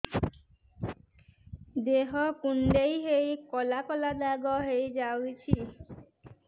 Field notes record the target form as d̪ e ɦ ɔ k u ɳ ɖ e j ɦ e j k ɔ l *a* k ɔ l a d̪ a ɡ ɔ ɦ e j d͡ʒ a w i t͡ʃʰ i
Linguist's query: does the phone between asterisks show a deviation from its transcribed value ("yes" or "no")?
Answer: no